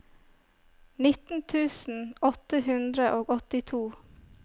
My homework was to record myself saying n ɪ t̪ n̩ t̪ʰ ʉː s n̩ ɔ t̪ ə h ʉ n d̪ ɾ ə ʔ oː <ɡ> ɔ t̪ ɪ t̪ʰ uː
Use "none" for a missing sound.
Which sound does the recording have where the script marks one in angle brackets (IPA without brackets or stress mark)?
ɡ